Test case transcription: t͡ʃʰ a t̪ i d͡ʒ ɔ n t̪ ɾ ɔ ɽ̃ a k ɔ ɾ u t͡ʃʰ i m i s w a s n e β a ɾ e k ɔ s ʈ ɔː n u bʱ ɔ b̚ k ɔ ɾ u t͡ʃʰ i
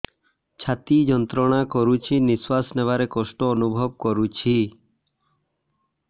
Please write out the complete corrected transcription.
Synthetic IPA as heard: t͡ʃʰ a t̪ i d͡ʒ ɔ n t̪ ɾ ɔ ɽ̃ a k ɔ ɾ u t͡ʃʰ i n i s w a s n e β a ɾ e k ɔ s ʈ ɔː n u bʱ ɔ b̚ k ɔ ɾ u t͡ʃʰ i